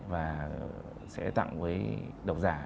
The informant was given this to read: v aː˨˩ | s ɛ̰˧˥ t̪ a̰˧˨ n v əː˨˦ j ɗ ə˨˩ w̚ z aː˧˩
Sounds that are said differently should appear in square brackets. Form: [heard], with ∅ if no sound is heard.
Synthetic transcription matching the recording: v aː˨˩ | s ɛ̰˧˥ t̪ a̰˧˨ [ŋ] v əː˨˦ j ɗ ə˨˩ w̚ z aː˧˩